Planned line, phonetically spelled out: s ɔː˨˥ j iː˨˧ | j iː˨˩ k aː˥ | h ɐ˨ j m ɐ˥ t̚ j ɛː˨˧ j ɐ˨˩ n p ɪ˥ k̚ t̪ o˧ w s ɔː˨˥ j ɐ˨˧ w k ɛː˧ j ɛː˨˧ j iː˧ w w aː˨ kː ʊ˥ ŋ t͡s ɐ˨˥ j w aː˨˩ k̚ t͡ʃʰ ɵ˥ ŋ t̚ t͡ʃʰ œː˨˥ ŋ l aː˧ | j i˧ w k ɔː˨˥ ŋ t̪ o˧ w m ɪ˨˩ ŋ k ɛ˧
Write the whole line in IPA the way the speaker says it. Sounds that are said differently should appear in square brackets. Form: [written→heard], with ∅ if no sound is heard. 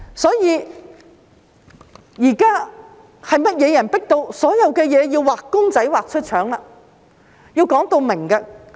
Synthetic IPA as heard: s ɔː˨˥ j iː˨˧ | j iː˨˩ k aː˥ | h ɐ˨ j m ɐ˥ t̚ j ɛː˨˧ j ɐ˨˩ n p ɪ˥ k̚ t̪ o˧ w s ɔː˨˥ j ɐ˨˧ w k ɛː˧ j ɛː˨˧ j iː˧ w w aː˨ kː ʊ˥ ŋ t͡s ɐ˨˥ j w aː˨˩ k̚ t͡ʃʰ ɵ˥ [ŋ→∅] t̚ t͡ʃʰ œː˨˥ ŋ l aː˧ | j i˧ w k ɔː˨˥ ŋ t̪ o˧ w m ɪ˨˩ ŋ k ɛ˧